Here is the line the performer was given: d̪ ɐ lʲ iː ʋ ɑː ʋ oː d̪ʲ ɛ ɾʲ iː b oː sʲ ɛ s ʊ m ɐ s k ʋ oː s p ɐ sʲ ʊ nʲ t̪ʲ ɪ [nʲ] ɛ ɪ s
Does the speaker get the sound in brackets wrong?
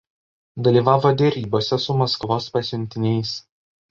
no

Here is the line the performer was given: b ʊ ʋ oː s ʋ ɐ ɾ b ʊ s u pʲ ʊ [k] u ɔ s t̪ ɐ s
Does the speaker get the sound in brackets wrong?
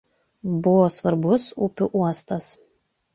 yes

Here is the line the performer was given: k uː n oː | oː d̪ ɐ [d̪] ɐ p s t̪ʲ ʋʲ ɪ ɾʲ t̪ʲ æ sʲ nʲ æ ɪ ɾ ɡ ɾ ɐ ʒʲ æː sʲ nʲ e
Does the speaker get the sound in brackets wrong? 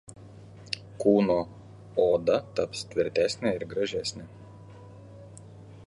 yes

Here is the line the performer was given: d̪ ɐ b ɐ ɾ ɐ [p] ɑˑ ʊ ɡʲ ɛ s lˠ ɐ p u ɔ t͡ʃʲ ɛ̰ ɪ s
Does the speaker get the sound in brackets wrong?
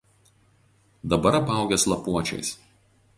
no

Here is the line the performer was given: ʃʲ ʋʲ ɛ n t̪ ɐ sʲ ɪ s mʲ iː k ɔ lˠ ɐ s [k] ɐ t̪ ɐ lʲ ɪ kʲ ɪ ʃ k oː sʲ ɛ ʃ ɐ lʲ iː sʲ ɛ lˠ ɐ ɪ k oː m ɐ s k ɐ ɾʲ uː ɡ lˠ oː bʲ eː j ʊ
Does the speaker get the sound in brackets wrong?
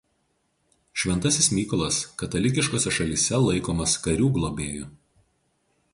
no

